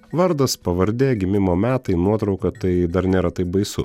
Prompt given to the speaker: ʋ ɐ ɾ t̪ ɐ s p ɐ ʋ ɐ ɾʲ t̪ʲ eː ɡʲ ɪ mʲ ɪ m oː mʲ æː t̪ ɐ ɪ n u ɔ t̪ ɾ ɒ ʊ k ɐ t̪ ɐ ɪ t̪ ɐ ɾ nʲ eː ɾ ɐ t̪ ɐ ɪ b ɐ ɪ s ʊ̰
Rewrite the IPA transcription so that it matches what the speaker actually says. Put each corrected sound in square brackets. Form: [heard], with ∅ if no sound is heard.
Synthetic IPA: ʋ ɐ ɾ [d̪] ɐ s p ɐ ʋ ɐ ɾʲ [d̪ʲ] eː ɡʲ ɪ mʲ ɪ m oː mʲ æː t̪ ɐ ɪ n u ɔ t̪ ɾ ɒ ʊ k ɐ t̪ ɐ ɪ [d̪] ɐ ɾ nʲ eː ɾ ɐ t̪ ɐ ɪ b ɐ ɪ s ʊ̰